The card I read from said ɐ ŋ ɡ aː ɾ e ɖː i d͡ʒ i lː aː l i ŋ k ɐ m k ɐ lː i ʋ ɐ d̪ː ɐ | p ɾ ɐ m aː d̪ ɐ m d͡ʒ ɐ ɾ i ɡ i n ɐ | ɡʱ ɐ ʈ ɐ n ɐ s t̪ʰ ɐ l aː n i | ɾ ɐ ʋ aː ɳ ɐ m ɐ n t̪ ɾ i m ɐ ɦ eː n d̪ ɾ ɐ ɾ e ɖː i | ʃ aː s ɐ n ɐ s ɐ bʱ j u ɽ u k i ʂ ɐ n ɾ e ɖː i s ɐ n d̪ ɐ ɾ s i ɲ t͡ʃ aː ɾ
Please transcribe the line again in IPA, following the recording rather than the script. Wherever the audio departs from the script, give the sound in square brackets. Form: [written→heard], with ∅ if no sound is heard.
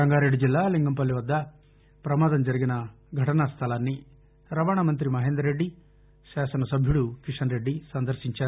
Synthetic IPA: ɐ ŋ ɡ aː ɾ e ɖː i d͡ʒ i lː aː l i ŋ [k→ɡ] ɐ m [k→p] ɐ lː i ʋ ɐ d̪ː ɐ | p ɾ ɐ m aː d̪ ɐ m d͡ʒ ɐ ɾ i ɡ i n ɐ | ɡʱ ɐ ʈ ɐ n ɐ s t̪ʰ ɐ l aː [n→nː] i | ɾ ɐ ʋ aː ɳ ɐ m ɐ n t̪ ɾ i m ɐ ɦ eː n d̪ ɾ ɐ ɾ e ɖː i | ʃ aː s ɐ n ɐ s ɐ bʱ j u ɽ u k i ʂ ɐ n ɾ e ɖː i s ɐ n d̪ ɐ ɾ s i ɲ t͡ʃ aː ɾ